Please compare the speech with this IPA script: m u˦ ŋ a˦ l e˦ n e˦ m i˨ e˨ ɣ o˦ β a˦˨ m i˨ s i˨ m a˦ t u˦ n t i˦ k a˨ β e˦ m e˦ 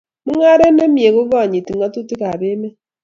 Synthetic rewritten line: m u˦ ŋ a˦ ɾ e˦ n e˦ m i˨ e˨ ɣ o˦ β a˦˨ ɲ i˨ t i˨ ŋ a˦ t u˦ t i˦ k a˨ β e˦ m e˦